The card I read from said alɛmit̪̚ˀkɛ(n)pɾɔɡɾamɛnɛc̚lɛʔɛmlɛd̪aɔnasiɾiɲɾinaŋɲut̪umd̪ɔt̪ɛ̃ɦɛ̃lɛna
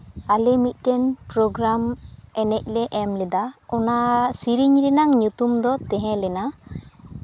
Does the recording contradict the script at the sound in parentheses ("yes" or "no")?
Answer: no